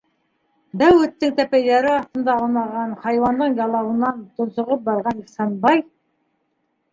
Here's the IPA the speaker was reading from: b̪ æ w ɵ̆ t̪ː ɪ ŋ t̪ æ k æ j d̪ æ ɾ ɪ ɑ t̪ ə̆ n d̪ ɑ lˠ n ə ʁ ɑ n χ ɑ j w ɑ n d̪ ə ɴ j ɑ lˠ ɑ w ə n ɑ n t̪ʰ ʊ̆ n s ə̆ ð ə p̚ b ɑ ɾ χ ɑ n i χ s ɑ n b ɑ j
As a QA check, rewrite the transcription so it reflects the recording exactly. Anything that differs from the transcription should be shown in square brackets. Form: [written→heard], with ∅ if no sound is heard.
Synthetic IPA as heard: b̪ æ w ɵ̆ t̪ː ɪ ŋ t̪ æ [k→p] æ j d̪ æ ɾ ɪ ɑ t̪ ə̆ n d̪ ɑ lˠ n [ə→ɑ] ʁ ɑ n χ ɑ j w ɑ n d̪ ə ɴ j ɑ lˠ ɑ w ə n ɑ n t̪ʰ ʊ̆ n s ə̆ [ð→ʁ] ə p̚ b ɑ ɾ [χ→ʁ] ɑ n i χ s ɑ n b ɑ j

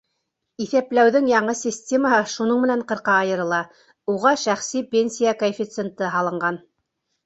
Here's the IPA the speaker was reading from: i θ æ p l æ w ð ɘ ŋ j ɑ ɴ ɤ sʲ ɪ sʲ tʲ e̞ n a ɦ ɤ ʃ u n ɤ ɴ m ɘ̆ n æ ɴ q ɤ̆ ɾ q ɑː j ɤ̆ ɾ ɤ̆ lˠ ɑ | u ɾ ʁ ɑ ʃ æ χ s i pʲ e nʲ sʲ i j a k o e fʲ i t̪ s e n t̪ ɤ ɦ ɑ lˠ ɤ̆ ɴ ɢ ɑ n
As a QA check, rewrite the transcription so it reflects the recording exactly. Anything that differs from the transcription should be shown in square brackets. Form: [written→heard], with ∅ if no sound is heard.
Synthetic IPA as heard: i θ æ p l æ w ð ɘ ŋ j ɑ ɴ ɤ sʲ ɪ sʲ tʲ e̞ [n→m] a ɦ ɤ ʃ u n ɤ ɴ m ɘ̆ n æ ɴ q ɤ̆ ɾ q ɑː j ɤ̆ ɾ ɤ̆ lˠ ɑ | u [ɾ→∅] ʁ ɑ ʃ æ χ s i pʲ e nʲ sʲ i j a k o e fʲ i t̪ s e n t̪ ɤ ɦ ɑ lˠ ɤ̆ ɴ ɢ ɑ n

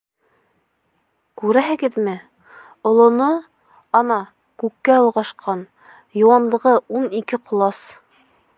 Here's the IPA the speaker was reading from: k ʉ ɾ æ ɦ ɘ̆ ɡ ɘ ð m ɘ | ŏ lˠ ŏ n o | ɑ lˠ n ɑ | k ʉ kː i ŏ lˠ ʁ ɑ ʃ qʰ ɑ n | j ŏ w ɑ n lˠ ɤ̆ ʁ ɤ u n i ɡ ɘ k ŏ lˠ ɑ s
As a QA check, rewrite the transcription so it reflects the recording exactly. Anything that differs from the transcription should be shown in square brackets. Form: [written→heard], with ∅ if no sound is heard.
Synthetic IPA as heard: k ʉ ɾ æ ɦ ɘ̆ ɡ ɘ ð m ɘ | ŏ lˠ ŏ n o | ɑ [lˠ→∅] n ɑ | k ʉ kː [i→æ] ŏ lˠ ʁ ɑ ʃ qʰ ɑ n | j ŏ w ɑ n lˠ ɤ̆ ʁ ɤ u n i [ɡ→k] ɘ [k→q] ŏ lˠ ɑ s

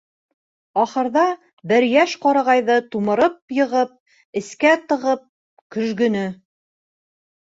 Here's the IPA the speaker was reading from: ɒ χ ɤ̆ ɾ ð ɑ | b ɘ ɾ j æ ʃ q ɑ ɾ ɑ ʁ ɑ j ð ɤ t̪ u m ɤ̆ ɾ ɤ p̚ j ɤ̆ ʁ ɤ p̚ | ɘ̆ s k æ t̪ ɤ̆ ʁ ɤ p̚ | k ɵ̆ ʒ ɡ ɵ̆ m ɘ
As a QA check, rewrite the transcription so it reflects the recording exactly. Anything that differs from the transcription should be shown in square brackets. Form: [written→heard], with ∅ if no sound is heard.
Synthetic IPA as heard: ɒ χ ɤ̆ ɾ ð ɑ | b ɘ ɾ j æ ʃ q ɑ ɾ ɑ ʁ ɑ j ð ɤ t̪ u m ɤ̆ ɾ ɤ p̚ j ɤ̆ ʁ ɤ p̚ | ɘ̆ s k æ t̪ ɤ̆ ʁ ɤ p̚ | k ɵ̆ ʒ ɡ ɵ̆ [m→n] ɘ

